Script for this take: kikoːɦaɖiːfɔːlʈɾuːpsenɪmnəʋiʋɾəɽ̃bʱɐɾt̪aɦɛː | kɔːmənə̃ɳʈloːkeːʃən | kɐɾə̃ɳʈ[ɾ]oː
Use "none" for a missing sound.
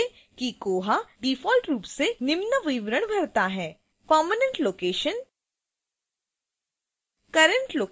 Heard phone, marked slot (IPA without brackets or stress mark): l